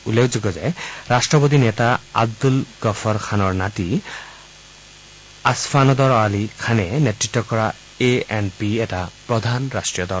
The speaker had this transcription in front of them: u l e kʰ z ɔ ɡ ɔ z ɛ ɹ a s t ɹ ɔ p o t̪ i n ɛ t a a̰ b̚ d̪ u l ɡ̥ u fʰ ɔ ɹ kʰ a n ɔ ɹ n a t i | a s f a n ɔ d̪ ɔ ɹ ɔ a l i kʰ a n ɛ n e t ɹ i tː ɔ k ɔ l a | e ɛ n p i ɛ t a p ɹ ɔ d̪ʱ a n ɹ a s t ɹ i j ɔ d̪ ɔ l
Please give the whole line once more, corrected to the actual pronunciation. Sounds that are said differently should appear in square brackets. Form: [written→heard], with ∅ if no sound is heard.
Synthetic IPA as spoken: u l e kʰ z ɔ ɡ ɔ z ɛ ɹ a s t ɹ ɔ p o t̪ i n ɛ t a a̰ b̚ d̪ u l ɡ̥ [u→ɔ] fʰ ɔ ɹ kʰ a n ɔ ɹ n a t i | a s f a n ɔ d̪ ɔ ɹ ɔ a l i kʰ a n ɛ n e t ɹ i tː ɔ k ɔ [l→ɹ] a | e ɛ n p i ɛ t a p ɹ ɔ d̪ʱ a n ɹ a s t ɹ i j ɔ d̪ ɔ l